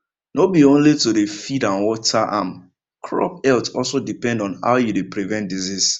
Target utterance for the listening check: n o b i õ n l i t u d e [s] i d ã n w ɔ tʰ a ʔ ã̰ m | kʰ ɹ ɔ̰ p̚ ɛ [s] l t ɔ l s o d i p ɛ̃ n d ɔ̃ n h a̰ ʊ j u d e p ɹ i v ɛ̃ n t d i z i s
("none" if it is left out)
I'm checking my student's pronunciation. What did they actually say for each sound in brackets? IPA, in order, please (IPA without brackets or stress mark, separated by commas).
f, none